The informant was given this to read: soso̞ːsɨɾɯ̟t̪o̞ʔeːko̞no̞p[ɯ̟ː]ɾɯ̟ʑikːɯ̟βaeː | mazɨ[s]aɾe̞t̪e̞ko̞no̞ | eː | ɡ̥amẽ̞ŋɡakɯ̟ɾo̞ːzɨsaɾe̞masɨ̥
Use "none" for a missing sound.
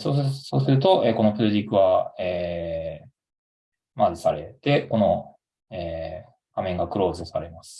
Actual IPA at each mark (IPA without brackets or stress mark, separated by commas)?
ɯ̟, s